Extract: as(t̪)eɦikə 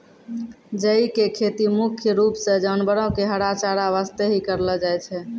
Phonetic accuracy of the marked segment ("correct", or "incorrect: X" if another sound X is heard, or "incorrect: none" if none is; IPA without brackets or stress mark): correct